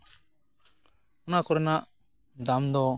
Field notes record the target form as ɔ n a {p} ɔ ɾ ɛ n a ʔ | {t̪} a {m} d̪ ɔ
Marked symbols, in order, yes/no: no, no, yes

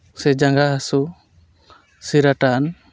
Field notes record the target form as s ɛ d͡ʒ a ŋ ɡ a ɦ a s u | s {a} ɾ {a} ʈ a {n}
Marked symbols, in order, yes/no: no, yes, yes

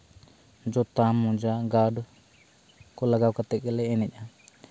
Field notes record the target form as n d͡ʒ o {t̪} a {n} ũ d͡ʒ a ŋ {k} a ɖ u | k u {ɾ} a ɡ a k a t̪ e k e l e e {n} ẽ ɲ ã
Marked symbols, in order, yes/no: yes, no, no, no, yes

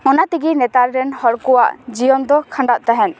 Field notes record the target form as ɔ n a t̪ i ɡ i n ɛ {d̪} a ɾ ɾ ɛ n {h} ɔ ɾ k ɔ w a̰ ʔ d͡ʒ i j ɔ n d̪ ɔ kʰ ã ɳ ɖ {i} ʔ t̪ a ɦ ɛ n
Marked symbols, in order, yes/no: no, yes, no

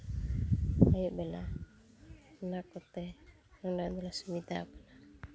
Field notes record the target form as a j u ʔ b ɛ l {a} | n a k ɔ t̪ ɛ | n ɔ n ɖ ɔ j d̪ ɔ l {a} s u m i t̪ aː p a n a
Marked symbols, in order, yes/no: yes, yes

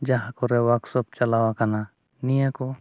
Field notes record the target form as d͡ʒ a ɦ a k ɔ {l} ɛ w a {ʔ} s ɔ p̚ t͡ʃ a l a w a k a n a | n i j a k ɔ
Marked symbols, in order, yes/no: no, no

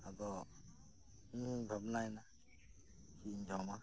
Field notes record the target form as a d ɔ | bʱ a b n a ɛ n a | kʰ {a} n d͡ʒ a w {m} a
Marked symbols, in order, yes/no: no, yes

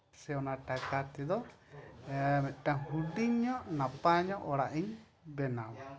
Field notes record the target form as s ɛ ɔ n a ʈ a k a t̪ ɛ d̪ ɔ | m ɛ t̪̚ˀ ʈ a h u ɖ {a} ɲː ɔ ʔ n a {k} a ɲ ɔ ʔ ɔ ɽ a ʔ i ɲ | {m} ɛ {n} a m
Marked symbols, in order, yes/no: no, no, no, yes

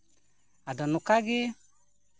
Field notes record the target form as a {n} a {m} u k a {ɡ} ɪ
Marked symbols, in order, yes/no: no, no, yes

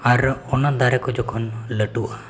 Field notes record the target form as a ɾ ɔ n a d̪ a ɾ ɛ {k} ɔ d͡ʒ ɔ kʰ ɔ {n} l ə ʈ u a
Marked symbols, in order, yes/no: yes, yes

